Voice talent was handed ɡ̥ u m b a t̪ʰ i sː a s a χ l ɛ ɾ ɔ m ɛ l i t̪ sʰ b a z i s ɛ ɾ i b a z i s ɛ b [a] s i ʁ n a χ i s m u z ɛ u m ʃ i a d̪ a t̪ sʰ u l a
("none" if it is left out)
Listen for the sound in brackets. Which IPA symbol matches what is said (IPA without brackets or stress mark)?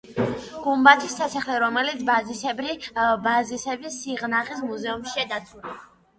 i